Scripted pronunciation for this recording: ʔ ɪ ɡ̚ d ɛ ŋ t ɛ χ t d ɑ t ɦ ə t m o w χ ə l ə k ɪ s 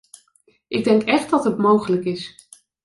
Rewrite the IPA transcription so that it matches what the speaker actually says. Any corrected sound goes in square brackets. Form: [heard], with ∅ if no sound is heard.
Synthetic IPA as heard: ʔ ɪ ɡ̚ d ɛ ŋ [k] ɛ χ t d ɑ t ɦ ə t m o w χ ə l ə k ɪ s